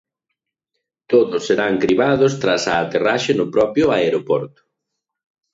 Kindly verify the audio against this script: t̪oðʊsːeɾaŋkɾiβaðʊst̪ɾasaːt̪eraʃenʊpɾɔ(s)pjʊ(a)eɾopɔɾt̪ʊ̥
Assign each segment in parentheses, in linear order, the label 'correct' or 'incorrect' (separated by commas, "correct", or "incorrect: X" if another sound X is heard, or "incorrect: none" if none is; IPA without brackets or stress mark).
incorrect: none, correct